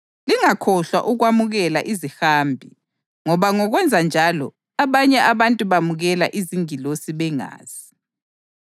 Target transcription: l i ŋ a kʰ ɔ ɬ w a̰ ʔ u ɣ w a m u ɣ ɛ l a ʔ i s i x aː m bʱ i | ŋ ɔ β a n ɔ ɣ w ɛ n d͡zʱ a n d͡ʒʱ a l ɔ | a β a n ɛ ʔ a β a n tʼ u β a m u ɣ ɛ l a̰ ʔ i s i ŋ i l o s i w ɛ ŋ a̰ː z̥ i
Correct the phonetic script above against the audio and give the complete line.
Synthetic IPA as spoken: l i ŋ a kʰ ɔ ɬ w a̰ ʔ u ɣ w a m u ɣ ɛ l a ʔ i z i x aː m bʱ i | ŋ ɔ β a ŋ ɔ ɣ w ɛ n d͡zʱ a n d͡ʒʱ a l ɔ | a β a ɲ ɛ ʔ a β a n tʼ u β a m u ɣ ɛ l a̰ ʔ i z i ŋ i l o s i β ɛ ŋ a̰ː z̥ i